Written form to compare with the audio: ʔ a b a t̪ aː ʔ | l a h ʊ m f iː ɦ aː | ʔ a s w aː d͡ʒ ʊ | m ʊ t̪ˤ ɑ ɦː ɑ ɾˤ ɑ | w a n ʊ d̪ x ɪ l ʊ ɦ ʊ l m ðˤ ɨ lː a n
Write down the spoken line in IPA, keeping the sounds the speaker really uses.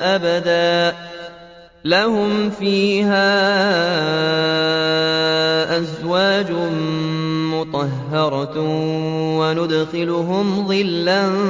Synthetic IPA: ʔ a b a d̪ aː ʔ | l a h ʊ m f iː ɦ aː | ʔ a z w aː d͡ʒ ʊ | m ʊ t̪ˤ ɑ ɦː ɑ ɾˤ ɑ | w a n ʊ d̪ x ɪ l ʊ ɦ ʊ m ðˤ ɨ lː a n